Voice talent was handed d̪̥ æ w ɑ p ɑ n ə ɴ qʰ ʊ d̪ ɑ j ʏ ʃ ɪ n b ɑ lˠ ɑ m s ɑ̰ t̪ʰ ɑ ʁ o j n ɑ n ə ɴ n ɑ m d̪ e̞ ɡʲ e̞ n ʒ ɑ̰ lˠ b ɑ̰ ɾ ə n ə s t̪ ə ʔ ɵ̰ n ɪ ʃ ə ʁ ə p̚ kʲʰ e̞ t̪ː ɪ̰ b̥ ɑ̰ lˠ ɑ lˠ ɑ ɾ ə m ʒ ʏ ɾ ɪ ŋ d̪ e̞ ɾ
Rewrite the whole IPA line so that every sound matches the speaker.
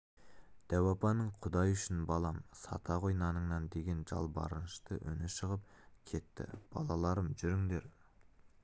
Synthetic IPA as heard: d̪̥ æ w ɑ p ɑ n ə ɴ qʰ ʊ d̪ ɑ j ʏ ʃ ɪ n b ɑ lˠ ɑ m s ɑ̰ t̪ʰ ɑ ʁ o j n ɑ n ə ɴ n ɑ n d̪ e̞ ɡʲ e̞ n ʒ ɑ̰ lˠ b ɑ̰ ɾ ə n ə ʃ t̪ ə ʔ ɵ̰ n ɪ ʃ ə ʁ ə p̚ kʲʰ e̞ t̪ː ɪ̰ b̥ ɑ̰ lˠ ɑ lˠ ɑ ɾ ə m ʒ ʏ ɾ ɪ ŋ d̪ e̞ ɾ